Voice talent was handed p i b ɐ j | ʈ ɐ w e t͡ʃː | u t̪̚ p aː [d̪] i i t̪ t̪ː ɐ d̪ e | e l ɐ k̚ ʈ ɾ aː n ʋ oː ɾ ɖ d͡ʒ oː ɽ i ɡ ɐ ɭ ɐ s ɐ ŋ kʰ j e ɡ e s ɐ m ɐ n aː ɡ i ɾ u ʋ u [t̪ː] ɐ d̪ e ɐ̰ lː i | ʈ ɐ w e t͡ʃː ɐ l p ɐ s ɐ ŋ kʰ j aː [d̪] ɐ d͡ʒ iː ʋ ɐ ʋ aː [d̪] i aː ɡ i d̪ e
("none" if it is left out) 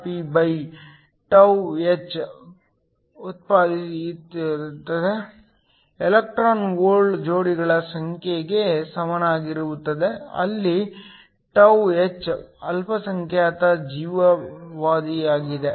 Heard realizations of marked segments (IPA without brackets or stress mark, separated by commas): d̪, t̪ː, t̪, d̪